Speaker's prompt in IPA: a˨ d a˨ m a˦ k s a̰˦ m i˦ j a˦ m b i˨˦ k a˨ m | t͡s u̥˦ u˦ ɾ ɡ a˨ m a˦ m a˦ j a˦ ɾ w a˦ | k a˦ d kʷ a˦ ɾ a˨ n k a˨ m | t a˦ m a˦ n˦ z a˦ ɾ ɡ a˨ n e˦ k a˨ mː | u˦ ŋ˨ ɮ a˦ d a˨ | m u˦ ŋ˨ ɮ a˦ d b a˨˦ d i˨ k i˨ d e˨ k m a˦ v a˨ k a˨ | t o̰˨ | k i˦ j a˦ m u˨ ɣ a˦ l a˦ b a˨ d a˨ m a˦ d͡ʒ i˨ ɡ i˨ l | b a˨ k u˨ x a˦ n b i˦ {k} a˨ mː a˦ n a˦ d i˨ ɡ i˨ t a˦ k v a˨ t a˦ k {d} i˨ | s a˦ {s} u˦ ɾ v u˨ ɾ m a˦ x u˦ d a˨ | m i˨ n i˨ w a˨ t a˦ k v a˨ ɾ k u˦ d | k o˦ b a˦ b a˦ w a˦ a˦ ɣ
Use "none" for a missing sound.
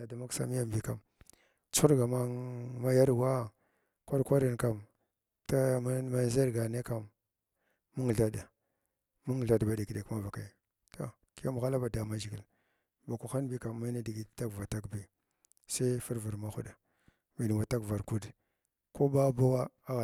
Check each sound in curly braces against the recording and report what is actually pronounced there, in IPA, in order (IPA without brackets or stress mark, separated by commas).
k, b, f